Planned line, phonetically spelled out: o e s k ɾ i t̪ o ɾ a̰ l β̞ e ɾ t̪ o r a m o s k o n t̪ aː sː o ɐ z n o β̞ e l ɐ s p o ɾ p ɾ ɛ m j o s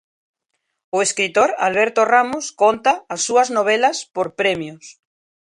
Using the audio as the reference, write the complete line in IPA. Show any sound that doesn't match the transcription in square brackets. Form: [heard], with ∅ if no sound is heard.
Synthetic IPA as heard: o e s k ɾ i t̪ o ɾ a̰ l β̞ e ɾ t̪ o r a m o s k o n t̪ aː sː [u] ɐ z n o β̞ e l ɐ s p o ɾ p ɾ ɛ m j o s

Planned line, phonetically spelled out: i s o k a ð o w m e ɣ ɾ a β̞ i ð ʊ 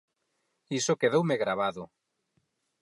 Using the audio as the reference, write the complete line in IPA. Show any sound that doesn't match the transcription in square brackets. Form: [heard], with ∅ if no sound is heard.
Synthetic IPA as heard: i s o k [e] ð o w m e ɣ ɾ a β̞ [a] ð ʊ

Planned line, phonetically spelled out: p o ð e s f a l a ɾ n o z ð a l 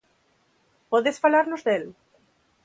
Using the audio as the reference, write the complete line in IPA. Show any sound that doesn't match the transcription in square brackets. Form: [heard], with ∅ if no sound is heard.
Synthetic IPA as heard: p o ð e s f a l a ɾ n o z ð [e] l

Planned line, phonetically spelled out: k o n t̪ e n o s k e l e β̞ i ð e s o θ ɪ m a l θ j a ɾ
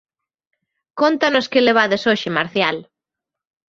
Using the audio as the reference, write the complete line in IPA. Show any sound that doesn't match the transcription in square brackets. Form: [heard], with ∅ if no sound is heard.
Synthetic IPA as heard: k o n t̪ [a] n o s k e l e β̞ [a] ð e s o [ʃ] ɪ m a [ɾ] θ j a [l]

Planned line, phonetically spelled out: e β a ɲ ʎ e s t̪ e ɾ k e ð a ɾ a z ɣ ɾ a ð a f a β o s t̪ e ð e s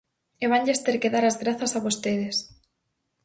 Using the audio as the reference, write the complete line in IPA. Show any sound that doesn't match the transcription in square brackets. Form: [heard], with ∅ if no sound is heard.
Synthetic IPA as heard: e β a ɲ ʎ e s t̪ e ɾ k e ð a ɾ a z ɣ ɾ a [θ] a [s] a β o s t̪ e ð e s

